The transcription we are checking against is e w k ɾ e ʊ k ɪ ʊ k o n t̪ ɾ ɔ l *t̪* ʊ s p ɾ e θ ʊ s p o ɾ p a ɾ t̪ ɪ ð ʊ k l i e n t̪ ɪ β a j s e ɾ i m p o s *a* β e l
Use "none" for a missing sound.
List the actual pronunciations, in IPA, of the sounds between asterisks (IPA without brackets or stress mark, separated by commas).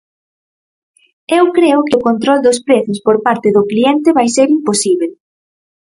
d̪, i